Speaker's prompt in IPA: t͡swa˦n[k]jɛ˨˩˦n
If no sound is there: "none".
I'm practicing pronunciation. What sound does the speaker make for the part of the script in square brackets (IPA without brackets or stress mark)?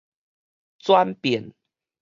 p